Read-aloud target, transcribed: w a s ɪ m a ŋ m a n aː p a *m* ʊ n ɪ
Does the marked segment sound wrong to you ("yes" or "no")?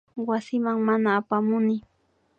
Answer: no